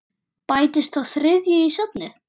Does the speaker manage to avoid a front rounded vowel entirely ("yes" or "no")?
no